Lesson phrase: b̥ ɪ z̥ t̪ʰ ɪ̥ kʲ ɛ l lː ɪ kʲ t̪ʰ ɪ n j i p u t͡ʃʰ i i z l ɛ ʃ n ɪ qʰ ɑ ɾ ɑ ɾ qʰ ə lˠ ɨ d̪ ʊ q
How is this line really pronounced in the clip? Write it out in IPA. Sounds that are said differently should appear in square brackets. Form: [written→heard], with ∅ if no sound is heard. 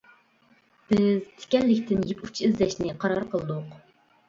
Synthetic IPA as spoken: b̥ ɪ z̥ t̪ʰ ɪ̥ kʲ ɛ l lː ɪ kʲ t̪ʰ ɪ n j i p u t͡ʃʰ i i z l ɛ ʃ n ɪ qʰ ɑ ɾ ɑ ɾ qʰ ə lˠ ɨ d̪ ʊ q